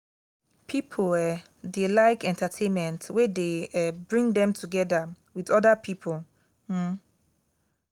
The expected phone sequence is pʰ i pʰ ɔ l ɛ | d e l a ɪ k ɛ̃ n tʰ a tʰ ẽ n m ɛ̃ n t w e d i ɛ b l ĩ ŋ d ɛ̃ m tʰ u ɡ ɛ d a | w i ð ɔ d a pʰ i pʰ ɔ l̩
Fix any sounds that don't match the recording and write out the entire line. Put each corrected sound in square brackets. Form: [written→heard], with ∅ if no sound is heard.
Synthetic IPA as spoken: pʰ i pʰ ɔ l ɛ | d e l a ɪ k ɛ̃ n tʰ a tʰ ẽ n m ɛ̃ n t w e d [i→e] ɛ b [l→ɹ] ĩ ŋ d ɛ̃ m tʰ u ɡ ɛ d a | w i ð ɔ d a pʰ i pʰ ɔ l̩